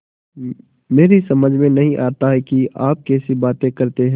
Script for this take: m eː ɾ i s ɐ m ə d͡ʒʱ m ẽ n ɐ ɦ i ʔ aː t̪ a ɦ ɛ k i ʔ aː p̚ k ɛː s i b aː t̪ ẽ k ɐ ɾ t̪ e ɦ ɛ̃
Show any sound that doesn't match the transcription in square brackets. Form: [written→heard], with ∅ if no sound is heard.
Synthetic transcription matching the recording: m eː ɾ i s ɐ m ə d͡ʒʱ m ẽ n ɐ ɦ [i→ĩ] ʔ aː t̪ a ɦ ɛ k i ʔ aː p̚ k ɛː s i b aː t̪ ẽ k ɐ ɾ t̪ e ɦ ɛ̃